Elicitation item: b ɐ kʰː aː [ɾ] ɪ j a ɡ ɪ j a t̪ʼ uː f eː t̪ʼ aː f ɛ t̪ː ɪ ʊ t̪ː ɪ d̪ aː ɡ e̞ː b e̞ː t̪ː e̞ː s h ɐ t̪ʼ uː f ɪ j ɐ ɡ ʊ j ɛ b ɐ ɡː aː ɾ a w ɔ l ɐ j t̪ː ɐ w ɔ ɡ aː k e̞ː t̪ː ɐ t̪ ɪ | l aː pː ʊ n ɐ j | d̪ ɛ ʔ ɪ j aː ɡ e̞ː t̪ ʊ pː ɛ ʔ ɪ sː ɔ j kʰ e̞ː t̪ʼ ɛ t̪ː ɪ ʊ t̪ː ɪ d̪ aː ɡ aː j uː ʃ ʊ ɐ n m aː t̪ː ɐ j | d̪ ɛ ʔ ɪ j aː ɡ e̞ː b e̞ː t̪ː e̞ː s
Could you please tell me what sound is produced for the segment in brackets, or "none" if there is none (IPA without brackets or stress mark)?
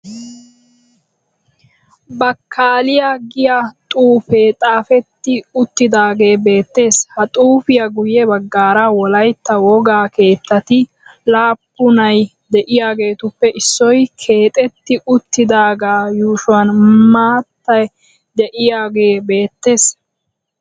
l